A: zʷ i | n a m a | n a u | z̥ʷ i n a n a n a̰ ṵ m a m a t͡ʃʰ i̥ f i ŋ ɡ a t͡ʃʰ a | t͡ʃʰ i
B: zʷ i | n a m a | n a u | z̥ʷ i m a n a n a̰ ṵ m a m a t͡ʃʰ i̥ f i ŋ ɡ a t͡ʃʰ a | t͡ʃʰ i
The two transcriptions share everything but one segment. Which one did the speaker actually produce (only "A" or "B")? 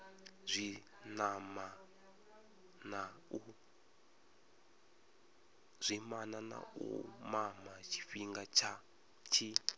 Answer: B